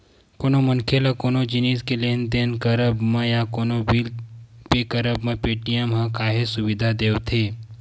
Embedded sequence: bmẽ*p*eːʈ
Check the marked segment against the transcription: correct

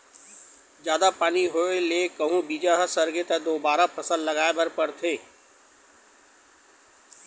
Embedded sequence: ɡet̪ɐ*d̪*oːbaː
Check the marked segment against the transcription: correct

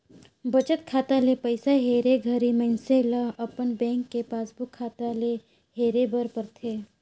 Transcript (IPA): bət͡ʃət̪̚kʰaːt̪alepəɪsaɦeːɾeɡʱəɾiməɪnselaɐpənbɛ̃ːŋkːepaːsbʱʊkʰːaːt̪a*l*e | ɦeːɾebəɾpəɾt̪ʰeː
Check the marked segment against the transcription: correct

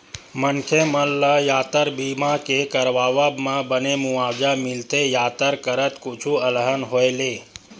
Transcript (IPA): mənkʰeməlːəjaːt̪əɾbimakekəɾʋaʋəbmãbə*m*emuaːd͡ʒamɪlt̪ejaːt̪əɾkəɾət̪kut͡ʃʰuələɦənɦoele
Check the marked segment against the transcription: incorrect: n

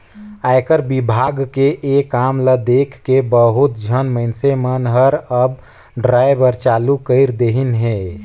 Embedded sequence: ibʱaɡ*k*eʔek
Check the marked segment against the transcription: correct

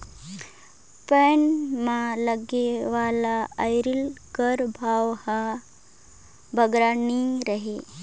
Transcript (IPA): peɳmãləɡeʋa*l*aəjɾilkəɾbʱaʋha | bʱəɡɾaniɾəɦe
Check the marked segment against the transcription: correct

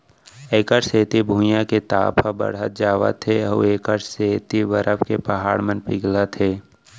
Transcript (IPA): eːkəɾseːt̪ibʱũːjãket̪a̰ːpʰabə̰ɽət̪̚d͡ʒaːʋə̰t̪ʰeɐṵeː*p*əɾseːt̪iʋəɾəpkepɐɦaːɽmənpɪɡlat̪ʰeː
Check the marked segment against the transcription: incorrect: k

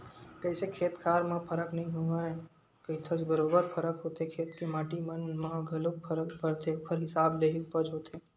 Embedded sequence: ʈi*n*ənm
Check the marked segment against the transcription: incorrect: m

